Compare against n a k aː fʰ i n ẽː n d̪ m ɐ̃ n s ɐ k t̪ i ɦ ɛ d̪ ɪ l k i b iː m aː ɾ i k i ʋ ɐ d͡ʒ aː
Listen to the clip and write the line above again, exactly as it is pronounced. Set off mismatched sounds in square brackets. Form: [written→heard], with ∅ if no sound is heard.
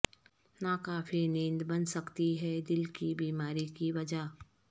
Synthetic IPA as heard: n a k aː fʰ i n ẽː n d̪ [m→b] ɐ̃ n s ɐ k t̪ i ɦ ɛ d̪ ɪ l k i b iː m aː ɾ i k i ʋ ɐ d͡ʒ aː